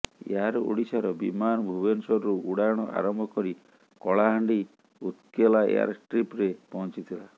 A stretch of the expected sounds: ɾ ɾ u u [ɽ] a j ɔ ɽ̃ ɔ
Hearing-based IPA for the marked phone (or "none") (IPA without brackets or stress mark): ɽ